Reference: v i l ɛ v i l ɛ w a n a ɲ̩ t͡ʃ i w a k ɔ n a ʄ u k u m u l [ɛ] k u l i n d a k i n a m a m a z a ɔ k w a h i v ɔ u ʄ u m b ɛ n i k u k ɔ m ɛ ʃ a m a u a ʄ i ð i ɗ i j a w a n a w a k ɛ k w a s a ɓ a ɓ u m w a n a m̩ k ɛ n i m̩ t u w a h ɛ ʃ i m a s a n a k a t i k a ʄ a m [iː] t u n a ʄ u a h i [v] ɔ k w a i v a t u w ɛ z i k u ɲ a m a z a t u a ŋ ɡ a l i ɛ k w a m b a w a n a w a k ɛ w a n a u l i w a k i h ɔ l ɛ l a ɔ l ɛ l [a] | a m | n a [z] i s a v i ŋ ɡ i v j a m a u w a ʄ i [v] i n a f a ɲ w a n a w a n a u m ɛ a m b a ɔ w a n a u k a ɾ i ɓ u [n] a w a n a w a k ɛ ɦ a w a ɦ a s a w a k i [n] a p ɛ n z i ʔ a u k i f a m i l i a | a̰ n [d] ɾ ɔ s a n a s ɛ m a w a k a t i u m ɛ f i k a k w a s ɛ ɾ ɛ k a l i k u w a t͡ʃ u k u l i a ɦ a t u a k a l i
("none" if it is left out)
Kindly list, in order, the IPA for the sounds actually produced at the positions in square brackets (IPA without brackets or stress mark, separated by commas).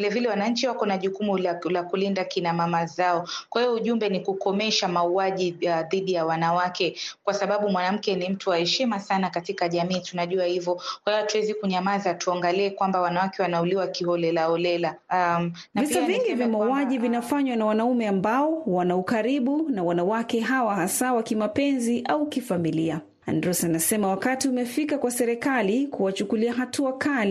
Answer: a, iː, v, a, v, v, n, m, d